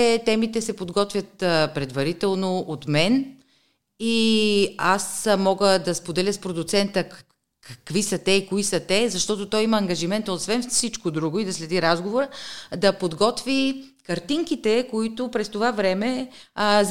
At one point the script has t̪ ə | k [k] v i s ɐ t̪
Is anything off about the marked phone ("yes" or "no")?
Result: no